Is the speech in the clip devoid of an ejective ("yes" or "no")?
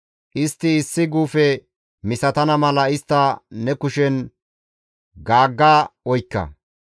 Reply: yes